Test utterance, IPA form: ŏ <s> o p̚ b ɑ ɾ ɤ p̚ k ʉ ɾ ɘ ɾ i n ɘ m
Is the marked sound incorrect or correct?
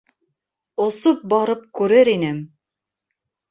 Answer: correct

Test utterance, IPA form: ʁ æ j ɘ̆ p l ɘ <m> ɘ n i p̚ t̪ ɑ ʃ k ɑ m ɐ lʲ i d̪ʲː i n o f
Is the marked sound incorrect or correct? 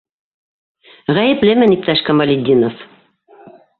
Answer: correct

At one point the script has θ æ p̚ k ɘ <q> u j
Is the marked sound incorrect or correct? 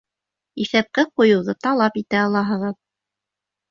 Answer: correct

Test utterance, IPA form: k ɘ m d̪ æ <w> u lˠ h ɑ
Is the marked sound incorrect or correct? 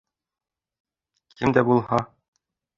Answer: incorrect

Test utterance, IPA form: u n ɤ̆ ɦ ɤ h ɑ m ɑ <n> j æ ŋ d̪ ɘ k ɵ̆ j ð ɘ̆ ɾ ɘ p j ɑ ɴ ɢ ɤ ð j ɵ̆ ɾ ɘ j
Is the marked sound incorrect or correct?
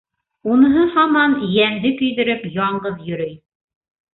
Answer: correct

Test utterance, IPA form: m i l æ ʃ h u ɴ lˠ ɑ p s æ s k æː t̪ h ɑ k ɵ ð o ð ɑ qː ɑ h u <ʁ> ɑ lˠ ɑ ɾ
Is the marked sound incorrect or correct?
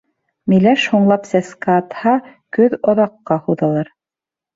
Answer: incorrect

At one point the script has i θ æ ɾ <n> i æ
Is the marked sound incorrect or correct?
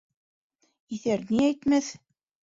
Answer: correct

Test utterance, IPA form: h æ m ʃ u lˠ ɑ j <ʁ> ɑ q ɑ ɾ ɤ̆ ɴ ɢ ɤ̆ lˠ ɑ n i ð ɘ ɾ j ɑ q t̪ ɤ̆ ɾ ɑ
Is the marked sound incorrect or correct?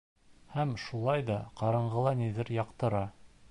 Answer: incorrect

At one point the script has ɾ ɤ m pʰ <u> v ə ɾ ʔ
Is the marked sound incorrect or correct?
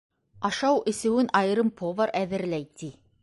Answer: incorrect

